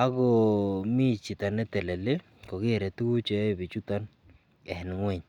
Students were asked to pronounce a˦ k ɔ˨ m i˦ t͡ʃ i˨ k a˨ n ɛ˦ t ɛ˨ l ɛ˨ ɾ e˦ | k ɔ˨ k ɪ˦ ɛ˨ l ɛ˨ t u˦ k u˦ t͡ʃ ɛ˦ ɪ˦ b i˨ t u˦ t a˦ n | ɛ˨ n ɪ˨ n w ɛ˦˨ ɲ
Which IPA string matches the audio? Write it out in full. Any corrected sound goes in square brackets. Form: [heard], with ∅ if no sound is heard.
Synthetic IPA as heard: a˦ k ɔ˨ m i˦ t͡ʃ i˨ [t] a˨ n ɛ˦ t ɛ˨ l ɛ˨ [l] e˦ | k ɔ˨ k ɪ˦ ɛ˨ [ɾ] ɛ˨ t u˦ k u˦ t͡ʃ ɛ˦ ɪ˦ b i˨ [t͡ʃ] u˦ t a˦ n | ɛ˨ n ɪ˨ [ŋ] w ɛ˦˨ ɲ